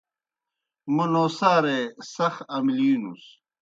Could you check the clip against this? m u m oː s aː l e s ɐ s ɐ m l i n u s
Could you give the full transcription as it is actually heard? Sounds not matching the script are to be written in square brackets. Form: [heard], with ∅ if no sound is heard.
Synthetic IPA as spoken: m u [n] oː s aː [ɾ] e s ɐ [x] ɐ m l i n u s